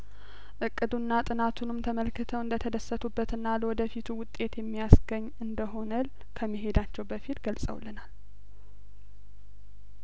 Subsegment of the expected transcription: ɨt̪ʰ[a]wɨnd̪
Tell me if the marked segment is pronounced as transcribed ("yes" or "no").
no